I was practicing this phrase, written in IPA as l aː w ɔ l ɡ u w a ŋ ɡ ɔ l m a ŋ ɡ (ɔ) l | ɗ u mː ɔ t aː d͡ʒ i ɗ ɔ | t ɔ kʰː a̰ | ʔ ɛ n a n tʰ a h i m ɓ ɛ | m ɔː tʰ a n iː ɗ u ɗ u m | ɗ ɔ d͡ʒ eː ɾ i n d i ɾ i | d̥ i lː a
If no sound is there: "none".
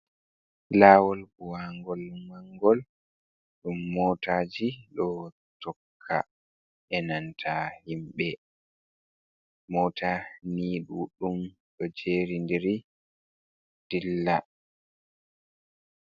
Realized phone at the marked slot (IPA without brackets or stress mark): ɔ